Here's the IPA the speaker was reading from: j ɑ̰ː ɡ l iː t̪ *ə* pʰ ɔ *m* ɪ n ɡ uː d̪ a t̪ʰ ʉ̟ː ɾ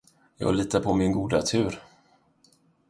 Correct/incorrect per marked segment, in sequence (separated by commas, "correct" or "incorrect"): incorrect, correct